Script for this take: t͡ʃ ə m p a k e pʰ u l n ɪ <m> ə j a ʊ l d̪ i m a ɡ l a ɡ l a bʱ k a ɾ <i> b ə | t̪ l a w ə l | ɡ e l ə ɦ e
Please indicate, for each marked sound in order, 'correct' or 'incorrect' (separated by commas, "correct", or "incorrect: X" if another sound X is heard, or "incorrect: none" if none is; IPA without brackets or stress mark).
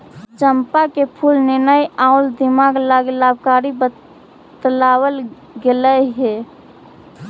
incorrect: n, correct